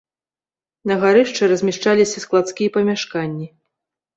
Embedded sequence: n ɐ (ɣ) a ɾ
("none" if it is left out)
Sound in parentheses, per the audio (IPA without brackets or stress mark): ɣ